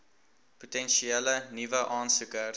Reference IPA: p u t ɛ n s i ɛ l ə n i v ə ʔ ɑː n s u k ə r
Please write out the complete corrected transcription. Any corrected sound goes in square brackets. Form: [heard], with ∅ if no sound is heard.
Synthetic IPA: p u t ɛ n [ʃ] i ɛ l ə n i v ə ʔ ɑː n s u k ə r